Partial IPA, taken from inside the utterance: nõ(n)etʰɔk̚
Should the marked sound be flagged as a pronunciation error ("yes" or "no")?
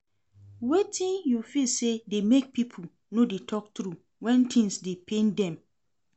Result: yes